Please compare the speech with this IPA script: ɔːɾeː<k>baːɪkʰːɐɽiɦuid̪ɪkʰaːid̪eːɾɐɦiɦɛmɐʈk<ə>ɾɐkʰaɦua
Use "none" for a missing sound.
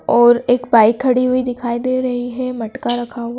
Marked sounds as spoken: k, a

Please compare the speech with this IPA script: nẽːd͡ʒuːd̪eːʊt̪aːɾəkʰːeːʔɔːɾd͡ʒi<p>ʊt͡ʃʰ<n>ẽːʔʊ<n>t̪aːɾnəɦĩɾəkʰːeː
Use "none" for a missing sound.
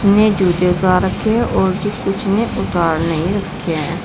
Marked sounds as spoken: k, n, none

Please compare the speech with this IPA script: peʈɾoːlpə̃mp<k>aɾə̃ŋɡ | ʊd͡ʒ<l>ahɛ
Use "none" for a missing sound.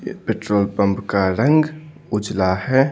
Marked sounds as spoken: k, l

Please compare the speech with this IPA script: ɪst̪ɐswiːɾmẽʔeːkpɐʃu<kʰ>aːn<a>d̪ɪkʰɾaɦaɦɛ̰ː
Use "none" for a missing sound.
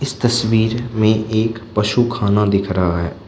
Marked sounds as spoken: kʰ, a

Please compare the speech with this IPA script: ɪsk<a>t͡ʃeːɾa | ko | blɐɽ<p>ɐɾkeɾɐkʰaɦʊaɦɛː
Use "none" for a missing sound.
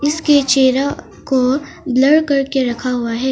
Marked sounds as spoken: e, k

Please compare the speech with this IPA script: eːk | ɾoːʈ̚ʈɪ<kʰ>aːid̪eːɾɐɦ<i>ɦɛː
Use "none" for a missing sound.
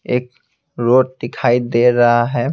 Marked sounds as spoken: kʰ, a

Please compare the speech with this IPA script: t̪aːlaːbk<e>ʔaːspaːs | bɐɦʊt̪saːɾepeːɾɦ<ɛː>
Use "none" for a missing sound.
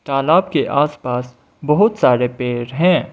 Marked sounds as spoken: e, ɛ̃ː

